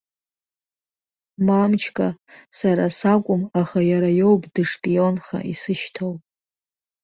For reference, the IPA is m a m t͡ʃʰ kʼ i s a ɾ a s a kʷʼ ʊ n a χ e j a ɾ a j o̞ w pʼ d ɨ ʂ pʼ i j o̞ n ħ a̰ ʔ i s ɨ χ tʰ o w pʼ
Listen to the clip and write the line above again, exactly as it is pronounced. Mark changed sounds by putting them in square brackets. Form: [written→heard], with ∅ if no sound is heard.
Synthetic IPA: m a m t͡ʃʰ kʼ [i→a] s a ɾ a s a kʷʼ ʊ [n→m] a χ [e→a] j a ɾ a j o̞ w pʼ d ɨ ʂ pʼ i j o̞ n [ħ→χ] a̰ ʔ i s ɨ [χ→ʃ] tʰ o w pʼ